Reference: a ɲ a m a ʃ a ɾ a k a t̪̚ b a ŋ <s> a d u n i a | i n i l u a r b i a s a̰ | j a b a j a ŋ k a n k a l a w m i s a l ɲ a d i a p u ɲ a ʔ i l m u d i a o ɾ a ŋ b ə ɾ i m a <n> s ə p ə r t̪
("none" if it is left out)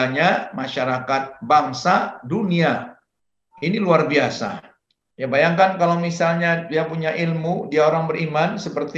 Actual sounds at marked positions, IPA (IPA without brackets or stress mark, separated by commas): s, n